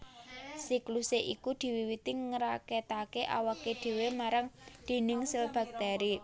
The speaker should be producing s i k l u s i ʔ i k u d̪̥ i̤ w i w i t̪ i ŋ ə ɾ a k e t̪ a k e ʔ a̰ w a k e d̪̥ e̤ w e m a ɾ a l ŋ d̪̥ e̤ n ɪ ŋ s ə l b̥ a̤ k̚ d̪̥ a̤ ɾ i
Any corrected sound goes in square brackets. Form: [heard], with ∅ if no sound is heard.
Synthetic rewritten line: s i k l u s [e] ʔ i k u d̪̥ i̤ w i w i t̪ i ŋ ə ɾ a k e t̪ a k e ʔ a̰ w a k e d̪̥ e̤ w e m a ɾ a [∅] ŋ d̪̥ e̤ n ɪ ŋ s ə l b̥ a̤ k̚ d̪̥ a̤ ɾ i